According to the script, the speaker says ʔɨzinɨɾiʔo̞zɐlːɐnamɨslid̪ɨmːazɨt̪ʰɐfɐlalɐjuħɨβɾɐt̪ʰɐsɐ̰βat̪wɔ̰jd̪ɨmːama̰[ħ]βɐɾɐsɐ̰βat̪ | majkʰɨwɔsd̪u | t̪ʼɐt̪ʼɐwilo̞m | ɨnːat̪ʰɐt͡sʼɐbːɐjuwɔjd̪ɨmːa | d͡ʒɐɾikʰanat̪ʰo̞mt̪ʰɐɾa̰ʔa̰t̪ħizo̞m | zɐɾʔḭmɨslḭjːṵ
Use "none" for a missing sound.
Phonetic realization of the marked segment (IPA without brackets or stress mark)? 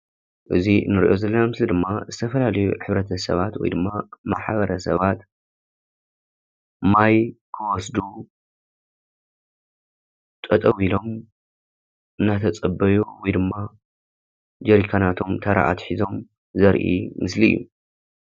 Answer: ħ